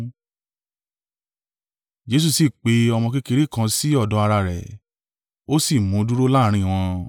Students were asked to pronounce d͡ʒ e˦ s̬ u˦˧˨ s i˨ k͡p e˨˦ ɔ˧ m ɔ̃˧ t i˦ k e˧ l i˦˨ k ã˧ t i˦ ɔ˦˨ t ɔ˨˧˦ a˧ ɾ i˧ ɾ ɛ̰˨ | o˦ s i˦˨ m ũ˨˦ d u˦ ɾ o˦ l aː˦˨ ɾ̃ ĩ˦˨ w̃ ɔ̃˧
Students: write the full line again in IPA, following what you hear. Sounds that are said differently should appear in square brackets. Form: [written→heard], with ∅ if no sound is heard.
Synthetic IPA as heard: d͡ʒ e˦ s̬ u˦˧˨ s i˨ k͡p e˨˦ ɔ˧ m ɔ̃˧ [t→k] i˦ k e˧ [l→ɾ] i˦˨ k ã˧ [t→s] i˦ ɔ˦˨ [t→d] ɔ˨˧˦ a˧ ɾ [i˧→a˧] ɾ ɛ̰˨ | o˦ s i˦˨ m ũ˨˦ d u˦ ɾ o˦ l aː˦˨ ɾ̃ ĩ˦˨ w̃ ɔ̃˧

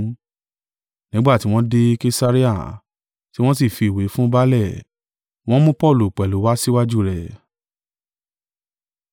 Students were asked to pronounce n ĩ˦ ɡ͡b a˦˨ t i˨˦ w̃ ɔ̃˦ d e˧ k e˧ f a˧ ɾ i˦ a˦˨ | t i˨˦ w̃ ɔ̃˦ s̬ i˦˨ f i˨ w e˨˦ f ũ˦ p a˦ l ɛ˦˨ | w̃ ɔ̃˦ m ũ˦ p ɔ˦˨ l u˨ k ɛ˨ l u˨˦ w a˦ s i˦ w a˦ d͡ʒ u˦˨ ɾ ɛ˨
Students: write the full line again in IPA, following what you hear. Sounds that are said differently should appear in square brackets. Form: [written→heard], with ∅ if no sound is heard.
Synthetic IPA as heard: n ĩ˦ ɡ͡b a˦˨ t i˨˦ w̃ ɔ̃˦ d e˧ k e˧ [f→s] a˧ ɾ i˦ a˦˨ | t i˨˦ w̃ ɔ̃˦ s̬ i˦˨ f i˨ w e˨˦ f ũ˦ [p→b] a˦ l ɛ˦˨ | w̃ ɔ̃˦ m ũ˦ p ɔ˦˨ l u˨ [k→k͡p] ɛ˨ l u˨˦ w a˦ s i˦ w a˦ d͡ʒ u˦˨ ɾ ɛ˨

